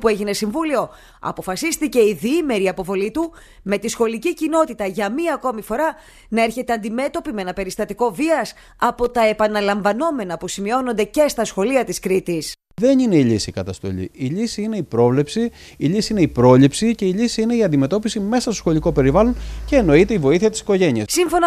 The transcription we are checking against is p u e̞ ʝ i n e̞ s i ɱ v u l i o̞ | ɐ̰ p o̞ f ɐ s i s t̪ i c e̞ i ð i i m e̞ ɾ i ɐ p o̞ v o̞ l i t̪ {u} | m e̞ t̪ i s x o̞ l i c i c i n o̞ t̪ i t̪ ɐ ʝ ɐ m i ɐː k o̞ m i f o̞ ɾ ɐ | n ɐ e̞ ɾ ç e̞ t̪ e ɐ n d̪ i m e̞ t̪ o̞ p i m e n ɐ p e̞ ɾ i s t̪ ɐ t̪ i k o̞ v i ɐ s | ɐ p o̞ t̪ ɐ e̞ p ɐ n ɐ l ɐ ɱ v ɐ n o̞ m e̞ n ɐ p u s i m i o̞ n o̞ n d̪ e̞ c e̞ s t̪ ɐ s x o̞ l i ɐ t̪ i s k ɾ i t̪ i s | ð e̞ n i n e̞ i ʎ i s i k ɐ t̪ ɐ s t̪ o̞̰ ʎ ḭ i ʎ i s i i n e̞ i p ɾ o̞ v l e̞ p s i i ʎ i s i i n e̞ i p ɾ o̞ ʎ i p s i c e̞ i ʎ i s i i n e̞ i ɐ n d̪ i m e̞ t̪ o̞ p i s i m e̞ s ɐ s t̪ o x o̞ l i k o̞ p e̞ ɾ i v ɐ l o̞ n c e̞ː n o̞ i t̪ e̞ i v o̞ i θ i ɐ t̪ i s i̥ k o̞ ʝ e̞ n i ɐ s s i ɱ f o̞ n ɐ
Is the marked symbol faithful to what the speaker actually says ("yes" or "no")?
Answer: yes